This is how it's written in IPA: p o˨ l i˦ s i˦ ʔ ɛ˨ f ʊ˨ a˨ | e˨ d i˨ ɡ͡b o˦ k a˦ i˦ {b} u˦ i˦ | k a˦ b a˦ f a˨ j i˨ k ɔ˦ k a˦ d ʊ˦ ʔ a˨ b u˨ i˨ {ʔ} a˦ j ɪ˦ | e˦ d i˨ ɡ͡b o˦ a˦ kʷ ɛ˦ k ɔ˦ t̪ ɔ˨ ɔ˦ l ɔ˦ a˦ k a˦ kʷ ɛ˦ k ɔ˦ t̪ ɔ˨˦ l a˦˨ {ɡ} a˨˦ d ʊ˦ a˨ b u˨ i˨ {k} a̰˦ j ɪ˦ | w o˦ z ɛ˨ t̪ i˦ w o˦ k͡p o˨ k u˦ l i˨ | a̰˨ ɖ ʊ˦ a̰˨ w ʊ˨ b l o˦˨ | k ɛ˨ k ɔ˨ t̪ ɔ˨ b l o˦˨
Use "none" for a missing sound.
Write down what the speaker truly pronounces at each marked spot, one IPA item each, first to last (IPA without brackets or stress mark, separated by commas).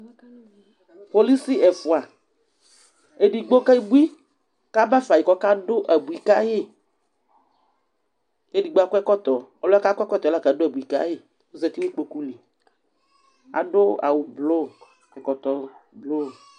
b, k, k, k